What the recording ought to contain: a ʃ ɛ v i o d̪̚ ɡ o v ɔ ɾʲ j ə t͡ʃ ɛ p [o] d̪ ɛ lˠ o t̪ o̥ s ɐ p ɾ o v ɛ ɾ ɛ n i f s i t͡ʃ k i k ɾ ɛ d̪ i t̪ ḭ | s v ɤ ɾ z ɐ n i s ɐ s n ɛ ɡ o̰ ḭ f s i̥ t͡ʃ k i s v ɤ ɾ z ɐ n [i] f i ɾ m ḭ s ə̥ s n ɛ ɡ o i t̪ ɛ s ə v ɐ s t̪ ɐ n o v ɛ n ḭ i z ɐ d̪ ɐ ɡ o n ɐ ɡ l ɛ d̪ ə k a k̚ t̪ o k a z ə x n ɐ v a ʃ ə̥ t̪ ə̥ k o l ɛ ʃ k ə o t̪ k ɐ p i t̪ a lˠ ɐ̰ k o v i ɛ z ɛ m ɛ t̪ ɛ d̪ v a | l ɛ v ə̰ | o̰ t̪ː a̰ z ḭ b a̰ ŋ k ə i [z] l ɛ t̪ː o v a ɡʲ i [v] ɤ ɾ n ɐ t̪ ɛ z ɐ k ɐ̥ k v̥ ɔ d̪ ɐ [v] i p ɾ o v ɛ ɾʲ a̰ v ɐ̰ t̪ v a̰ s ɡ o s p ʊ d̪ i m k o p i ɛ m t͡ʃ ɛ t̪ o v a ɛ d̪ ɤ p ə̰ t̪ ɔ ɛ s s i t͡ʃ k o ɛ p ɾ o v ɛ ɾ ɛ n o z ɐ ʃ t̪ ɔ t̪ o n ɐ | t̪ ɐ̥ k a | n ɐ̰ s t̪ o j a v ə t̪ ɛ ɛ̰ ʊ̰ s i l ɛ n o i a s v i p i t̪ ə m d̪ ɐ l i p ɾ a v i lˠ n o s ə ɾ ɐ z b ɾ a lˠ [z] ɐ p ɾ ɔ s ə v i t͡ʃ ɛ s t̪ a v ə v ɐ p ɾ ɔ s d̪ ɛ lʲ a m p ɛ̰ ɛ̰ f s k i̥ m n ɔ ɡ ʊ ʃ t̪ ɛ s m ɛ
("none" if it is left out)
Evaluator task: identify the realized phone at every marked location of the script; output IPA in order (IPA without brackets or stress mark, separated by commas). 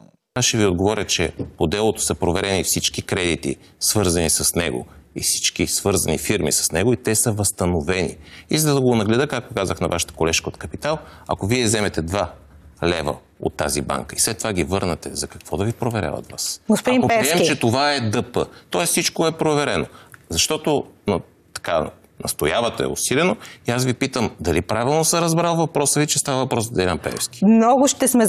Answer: o, i, s, v, v, v